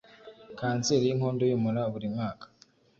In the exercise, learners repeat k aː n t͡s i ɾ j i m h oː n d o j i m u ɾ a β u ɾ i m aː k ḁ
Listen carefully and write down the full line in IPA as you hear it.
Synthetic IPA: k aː n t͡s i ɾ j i ŋ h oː n d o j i m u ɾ a β u ɾ i m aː k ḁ